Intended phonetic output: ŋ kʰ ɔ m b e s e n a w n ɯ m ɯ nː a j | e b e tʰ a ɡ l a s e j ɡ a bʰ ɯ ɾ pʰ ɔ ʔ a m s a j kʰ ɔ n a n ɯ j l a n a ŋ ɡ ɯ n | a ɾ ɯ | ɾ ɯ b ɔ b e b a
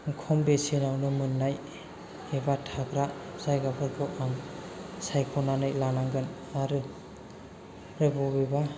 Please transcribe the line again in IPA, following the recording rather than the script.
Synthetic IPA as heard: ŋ kʰ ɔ m b e s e n a w n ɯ m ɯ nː a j | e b a tʰ a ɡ ɾ a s a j ɡ a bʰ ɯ ɾ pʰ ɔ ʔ a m s a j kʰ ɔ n a n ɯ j l a n a ŋ ɡ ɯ n | a ɾ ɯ | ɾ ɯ b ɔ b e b a